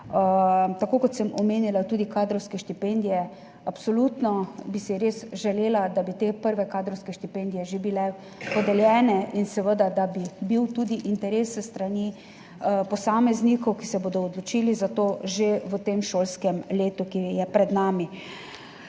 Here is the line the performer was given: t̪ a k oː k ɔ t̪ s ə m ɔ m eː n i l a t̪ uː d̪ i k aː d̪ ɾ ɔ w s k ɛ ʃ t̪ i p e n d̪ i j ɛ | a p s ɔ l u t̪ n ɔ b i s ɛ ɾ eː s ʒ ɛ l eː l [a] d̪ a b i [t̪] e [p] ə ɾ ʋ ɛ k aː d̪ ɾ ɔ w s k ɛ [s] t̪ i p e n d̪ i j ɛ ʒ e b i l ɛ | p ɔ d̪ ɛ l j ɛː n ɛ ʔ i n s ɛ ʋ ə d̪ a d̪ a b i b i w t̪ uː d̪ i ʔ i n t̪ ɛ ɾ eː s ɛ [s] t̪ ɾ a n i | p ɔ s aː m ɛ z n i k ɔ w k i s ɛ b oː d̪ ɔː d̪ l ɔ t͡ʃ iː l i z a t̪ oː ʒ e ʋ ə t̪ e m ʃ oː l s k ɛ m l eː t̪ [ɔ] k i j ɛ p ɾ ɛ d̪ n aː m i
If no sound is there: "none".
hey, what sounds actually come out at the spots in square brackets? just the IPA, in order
a, t̪, p, ʃ, s, u

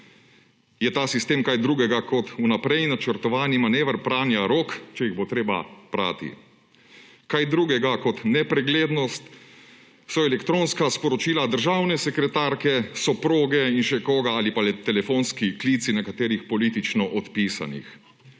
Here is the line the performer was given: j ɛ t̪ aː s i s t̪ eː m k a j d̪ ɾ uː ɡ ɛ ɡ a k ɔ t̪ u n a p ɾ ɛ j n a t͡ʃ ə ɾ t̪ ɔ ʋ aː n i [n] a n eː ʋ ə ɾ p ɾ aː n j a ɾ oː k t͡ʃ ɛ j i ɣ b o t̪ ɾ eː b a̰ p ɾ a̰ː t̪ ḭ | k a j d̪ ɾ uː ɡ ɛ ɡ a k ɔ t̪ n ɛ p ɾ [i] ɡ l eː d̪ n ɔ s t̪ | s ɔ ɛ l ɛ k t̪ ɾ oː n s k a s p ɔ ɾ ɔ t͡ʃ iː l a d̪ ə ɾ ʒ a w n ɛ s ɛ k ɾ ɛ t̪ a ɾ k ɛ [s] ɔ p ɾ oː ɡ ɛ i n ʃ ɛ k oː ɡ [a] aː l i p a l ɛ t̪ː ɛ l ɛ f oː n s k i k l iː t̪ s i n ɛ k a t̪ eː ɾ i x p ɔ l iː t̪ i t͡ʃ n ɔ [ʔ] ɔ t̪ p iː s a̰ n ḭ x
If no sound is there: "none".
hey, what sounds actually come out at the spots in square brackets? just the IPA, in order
m, ɛ, s, a, ʔ

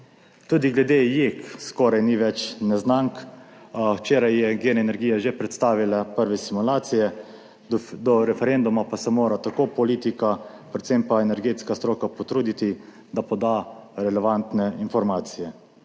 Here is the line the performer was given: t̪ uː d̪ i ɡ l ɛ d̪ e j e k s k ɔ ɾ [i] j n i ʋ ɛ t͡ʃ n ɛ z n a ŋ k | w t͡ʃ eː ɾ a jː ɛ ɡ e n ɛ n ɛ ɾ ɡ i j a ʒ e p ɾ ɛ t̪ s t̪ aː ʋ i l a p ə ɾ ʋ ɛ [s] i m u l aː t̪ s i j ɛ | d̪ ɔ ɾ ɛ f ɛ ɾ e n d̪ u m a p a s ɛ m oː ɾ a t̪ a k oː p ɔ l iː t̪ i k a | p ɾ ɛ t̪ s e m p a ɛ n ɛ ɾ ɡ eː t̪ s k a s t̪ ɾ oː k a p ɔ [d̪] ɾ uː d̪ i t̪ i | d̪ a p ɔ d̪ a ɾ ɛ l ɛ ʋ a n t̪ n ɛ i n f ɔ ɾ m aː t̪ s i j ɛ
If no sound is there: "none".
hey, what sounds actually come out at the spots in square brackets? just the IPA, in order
a, s, t̪

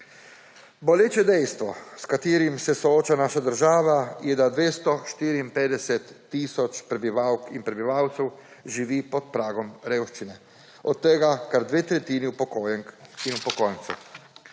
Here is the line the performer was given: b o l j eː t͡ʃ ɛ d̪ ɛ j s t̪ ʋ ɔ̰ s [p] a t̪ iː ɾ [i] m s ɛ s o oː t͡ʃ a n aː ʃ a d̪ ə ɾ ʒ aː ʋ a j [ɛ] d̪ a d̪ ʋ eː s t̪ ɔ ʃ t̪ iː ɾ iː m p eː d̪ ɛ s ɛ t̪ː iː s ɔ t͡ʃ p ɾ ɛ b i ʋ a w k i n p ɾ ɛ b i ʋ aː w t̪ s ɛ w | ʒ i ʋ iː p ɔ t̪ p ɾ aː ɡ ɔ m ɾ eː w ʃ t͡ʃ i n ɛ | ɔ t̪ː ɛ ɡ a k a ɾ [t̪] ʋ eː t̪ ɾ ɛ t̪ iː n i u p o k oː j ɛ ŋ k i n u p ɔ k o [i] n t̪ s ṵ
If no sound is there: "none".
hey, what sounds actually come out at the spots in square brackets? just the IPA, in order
k, i, ɛ, d̪, j

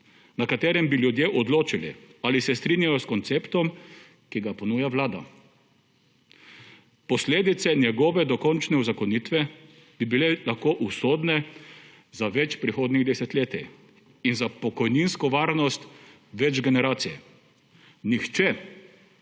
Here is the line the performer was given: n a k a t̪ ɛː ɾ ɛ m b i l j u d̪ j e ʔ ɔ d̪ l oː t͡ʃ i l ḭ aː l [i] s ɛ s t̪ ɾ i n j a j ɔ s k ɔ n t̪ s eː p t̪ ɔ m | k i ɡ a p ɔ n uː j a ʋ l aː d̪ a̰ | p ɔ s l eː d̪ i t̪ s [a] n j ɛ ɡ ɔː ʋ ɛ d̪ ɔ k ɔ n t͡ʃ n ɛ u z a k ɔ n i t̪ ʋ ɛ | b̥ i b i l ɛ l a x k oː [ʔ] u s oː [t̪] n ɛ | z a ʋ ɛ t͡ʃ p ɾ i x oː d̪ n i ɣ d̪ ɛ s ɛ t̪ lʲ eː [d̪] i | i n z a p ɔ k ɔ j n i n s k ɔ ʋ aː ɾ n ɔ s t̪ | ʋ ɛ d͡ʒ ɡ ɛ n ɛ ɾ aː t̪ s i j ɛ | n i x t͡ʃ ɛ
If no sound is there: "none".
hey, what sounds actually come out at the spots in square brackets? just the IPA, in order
i, ɛ, ʔ, d̪, t̪

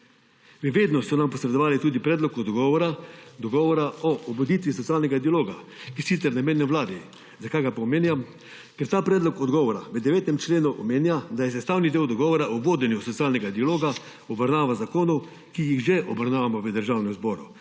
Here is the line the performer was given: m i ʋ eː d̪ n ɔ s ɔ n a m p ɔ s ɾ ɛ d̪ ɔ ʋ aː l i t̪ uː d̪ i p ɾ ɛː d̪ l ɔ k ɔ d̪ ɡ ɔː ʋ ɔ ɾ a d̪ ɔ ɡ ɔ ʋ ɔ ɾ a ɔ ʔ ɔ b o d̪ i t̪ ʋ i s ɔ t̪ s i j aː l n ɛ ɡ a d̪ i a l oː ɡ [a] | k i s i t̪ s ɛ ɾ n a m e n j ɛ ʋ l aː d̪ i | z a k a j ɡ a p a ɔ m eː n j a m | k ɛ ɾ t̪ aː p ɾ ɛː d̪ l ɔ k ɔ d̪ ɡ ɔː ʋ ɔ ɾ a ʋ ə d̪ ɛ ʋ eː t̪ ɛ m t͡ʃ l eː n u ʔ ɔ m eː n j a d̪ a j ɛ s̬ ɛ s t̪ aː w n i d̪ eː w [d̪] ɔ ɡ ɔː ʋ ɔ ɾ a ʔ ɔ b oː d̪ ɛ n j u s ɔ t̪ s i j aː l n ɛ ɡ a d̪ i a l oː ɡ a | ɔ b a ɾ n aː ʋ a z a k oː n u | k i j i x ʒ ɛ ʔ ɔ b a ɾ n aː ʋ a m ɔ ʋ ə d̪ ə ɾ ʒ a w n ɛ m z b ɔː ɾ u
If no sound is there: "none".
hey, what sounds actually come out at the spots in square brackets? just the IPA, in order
a, d̪

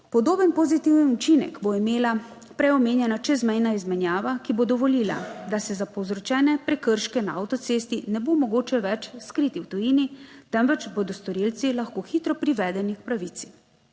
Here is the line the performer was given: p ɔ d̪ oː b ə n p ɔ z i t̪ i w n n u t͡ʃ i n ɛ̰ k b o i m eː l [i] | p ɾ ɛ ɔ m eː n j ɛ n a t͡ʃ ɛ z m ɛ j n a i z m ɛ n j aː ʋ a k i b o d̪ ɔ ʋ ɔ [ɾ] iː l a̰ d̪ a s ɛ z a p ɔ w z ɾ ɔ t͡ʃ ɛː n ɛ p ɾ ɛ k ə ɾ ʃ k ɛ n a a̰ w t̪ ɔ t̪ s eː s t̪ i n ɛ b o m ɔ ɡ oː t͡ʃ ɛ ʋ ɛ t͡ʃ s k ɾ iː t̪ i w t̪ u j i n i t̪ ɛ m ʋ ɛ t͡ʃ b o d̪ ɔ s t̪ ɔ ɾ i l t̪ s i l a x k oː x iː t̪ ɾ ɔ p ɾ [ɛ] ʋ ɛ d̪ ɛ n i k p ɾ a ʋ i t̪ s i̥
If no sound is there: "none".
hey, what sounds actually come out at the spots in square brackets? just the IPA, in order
a, l, i

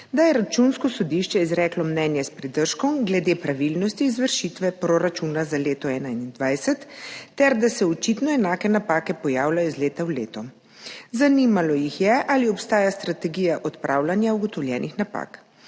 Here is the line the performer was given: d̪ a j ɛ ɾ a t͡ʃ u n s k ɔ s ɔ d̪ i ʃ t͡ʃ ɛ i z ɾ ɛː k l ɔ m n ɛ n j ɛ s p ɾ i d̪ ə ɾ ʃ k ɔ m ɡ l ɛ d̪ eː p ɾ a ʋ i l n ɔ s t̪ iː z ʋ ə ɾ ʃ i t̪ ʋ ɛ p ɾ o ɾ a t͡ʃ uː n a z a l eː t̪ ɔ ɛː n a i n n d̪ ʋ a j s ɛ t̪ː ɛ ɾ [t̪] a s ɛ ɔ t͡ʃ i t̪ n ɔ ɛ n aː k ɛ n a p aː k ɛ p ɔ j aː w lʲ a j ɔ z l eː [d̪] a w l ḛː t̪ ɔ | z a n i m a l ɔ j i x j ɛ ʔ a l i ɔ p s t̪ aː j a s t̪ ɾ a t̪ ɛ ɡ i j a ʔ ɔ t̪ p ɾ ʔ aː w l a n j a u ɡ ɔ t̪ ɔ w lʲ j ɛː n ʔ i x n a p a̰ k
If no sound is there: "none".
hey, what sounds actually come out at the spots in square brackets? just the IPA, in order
d̪, t̪

